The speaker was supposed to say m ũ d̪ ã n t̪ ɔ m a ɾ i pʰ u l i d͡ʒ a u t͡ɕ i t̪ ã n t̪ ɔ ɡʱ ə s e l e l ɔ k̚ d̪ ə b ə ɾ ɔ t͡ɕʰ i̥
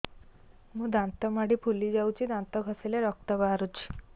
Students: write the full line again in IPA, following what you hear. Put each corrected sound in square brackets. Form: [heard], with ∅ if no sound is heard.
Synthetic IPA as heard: m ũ d̪ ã n t̪ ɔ m a [ɽ] i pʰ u l i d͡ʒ a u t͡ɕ i [d̪] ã n t̪ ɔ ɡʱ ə s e l e [ɾ] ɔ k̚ [t̪] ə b [a] ɾ [u] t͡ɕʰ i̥

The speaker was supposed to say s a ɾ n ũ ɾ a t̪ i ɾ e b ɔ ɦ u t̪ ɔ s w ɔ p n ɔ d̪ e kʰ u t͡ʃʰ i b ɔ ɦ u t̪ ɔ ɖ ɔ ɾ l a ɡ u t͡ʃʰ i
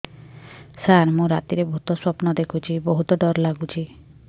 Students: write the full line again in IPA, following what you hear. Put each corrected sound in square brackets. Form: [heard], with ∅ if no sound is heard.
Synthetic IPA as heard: s a ɾ [m] ũ ɾ a t̪ i ɾ e b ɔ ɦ u t̪ ɔ s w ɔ p n ɔ d̪ e kʰ u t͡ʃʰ i b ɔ ɦ u t̪ ɔ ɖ ɔ ɾ l a ɡ u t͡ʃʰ i

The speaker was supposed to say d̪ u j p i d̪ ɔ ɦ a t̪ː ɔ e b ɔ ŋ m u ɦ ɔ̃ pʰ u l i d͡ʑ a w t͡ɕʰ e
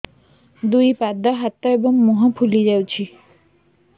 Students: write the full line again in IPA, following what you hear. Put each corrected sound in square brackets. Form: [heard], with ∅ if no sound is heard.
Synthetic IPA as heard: d̪ u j p [a] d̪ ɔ ɦ a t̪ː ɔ e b ɔ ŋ m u ɦ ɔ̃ pʰ u l i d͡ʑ a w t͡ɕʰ [i]

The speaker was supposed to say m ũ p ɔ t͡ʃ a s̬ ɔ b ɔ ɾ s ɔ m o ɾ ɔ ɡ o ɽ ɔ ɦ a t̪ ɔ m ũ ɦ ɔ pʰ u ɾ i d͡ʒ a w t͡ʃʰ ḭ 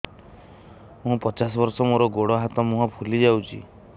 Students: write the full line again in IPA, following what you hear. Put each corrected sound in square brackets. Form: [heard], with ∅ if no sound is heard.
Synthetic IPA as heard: m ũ p ɔ t͡ʃ a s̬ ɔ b ɔ ɾ s ɔ m o ɾ ɔ ɡ o ɽ ɔ ɦ a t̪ ɔ m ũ ɦ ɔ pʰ u [l] i d͡ʒ a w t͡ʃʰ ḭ

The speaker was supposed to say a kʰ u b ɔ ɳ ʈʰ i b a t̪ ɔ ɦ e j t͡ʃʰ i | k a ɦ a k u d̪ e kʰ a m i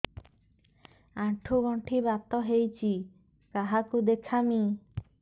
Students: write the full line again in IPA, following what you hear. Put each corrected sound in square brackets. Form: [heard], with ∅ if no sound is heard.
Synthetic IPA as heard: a [ʈʰ] u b ɔ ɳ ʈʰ i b a t̪ ɔ ɦ e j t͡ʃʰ i | k a ɦ a k u d̪ e kʰ a m i

